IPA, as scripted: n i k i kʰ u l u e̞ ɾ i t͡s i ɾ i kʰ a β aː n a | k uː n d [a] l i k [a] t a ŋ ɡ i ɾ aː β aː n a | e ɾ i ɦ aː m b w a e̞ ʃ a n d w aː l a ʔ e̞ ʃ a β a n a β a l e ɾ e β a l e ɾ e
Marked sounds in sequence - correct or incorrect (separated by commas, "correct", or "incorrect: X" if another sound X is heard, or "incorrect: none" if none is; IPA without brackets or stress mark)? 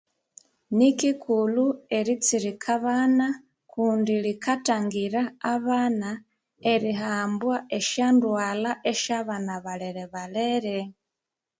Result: incorrect: i, correct